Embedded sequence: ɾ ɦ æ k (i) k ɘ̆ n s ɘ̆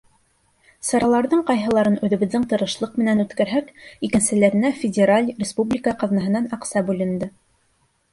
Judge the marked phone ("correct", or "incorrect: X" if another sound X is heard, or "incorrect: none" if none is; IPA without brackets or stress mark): correct